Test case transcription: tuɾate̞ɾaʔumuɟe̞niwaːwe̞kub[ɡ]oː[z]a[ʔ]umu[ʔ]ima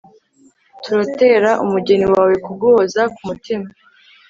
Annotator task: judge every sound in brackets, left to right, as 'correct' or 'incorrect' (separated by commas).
correct, correct, incorrect, incorrect